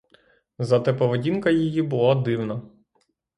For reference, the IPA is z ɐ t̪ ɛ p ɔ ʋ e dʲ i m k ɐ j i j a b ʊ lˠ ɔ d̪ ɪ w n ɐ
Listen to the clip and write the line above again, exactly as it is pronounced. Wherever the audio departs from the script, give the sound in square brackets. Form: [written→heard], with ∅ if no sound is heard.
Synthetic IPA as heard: z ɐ t̪ ɛ p ɔ ʋ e dʲ i [m→n] k ɐ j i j [a→i] b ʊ lˠ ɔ d̪ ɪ w n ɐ